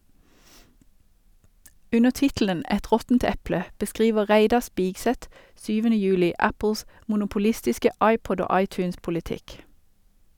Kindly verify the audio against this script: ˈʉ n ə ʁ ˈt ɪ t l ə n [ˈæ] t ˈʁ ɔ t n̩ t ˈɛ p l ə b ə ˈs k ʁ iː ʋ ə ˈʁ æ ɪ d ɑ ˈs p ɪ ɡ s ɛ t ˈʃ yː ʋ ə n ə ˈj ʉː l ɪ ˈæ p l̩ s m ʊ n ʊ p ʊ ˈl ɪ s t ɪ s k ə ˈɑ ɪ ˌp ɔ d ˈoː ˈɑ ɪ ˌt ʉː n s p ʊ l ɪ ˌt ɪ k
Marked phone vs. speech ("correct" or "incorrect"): incorrect